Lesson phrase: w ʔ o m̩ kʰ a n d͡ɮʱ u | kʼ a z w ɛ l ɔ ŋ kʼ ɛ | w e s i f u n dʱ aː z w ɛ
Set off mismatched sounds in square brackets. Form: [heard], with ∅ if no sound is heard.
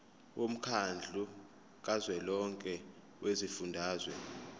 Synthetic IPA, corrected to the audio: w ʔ o m̩ kʰ a n d͡ɮʱ u | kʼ a z w ɛ l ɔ ŋ kʼ ɛ | w e [z] i f u n dʱ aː z w ɛ